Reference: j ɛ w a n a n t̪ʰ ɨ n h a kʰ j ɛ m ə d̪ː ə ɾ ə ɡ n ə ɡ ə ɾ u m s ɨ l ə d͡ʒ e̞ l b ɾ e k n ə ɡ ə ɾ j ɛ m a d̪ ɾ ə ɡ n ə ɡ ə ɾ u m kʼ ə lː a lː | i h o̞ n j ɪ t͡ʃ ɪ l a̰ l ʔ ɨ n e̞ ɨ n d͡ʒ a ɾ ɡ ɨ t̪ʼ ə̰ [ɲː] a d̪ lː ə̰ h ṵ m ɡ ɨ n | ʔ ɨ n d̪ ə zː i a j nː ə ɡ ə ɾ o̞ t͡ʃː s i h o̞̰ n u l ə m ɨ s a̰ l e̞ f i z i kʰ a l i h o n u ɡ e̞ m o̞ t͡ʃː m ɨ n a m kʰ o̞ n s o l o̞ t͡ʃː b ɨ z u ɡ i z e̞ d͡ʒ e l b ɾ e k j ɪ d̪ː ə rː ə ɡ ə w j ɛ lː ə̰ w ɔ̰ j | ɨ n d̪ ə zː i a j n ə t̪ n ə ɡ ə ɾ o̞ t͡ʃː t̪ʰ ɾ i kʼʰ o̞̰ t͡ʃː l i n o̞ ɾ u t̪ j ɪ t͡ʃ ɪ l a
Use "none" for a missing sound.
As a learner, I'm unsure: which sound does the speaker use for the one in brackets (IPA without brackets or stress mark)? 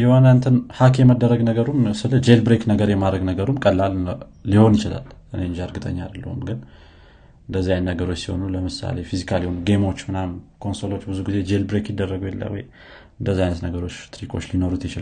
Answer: ɲː